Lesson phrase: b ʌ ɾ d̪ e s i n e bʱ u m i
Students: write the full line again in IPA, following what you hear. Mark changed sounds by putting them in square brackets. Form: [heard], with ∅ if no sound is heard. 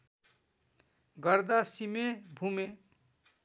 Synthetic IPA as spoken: [ɡ] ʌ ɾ d̪ [a] s i [m] e bʱ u m [e]